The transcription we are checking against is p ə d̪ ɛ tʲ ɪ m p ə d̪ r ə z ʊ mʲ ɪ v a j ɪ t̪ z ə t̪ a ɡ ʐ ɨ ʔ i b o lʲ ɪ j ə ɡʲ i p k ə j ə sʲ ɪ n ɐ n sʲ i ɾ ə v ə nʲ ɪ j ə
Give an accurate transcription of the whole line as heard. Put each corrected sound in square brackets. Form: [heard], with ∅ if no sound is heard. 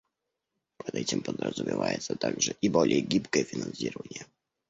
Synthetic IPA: p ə d̪ ɛ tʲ ɪ m p ə d̪ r ə z ʊ mʲ ɪ v a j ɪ t̪ [s] ə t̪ a ɡ ʐ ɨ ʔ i b o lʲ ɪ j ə ɡʲ i p k ə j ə [fʲ] ɪ n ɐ n sʲ i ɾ ə v ə nʲ ɪ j ə